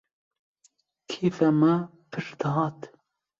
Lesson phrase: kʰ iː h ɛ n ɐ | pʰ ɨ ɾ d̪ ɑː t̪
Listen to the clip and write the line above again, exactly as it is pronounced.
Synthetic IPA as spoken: kʰ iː f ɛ m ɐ | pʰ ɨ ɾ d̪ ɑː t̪